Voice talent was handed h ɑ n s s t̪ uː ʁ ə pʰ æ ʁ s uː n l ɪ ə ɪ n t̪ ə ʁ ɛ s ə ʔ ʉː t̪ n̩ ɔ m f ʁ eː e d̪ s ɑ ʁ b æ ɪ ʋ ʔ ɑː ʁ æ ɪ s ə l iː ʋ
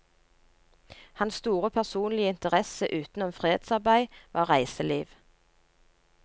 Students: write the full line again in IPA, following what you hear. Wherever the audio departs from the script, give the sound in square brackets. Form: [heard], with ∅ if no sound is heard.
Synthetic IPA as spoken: h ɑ n s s t̪ uː ʁ ə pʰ æ ʁ s uː n l ɪ ə ɪ n t̪ ə ʁ ɛ s ə ʔ ʉː t̪ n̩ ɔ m f ʁ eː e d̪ s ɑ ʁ b æ ɪ ʋ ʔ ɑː ʁ æ ɪ s ə l iː ʋ